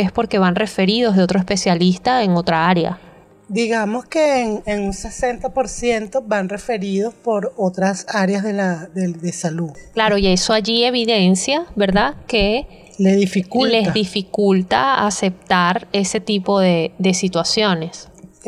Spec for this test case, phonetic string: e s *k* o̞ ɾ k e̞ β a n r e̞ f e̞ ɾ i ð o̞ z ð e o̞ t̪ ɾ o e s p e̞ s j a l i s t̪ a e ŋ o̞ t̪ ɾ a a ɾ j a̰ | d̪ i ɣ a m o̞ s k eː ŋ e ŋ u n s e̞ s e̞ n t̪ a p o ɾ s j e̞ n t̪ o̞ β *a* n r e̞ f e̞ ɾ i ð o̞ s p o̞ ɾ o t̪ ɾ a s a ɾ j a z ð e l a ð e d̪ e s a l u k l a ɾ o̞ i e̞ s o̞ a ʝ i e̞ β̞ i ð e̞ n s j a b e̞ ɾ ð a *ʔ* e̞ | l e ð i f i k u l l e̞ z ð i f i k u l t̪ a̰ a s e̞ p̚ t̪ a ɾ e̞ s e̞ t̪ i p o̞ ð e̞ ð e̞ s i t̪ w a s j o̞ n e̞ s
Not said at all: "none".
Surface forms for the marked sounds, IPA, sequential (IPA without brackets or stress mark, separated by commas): p, a, k